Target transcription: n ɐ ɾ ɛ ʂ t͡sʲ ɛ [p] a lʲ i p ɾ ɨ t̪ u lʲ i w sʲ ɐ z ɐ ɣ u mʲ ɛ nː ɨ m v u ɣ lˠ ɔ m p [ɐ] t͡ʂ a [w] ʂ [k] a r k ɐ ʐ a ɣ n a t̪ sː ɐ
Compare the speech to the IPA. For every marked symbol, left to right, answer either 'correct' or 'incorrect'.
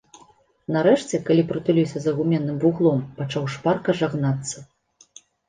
incorrect, incorrect, correct, incorrect

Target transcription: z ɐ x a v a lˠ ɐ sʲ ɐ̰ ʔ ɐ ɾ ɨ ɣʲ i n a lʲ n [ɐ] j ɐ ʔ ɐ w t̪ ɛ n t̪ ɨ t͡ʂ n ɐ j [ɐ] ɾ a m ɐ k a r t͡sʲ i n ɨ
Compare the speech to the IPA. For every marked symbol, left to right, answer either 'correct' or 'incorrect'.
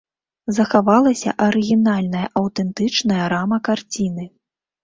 correct, correct

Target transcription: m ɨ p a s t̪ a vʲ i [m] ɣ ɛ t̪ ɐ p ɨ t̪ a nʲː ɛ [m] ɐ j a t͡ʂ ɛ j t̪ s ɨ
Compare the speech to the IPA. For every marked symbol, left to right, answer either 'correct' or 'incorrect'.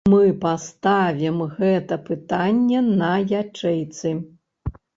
correct, incorrect

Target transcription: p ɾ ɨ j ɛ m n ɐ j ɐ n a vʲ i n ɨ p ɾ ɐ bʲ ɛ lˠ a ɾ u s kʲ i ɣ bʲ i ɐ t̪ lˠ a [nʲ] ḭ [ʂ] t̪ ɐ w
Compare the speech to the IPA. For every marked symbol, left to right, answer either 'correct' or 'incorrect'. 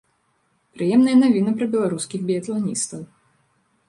correct, incorrect

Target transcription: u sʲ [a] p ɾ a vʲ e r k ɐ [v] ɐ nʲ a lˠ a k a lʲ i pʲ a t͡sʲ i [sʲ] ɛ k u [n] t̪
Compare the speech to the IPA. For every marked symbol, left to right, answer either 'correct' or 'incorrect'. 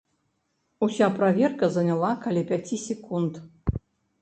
correct, incorrect, correct, correct

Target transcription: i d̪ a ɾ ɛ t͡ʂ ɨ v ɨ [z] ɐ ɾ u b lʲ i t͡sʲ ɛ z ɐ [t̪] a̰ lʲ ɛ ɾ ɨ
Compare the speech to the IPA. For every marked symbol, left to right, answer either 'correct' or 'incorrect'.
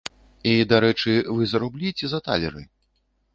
correct, correct

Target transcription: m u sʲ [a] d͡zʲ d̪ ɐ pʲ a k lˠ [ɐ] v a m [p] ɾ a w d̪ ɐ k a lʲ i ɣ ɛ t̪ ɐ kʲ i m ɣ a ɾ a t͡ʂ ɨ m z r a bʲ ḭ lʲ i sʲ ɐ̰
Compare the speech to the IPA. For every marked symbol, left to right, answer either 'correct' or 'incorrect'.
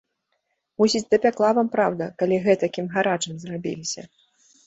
incorrect, incorrect, correct

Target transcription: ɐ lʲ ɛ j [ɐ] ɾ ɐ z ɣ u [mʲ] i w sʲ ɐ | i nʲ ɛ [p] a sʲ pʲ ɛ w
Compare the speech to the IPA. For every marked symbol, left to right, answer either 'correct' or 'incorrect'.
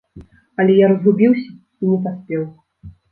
incorrect, incorrect, correct

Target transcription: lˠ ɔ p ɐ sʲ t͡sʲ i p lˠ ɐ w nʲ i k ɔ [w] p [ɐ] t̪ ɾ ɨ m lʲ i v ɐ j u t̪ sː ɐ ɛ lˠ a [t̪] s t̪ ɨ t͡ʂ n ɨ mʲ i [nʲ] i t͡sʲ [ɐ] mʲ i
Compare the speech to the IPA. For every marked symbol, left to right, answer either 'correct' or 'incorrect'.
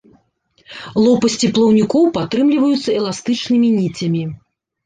correct, incorrect, incorrect, correct, correct

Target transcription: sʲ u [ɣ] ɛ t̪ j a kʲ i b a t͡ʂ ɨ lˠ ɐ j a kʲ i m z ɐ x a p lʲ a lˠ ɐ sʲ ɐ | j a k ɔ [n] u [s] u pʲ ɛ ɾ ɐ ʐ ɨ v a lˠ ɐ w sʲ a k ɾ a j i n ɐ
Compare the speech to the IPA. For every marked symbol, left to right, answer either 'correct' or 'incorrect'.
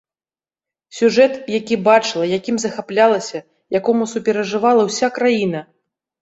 incorrect, incorrect, correct

